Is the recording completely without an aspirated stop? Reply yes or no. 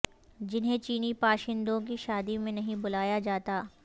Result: yes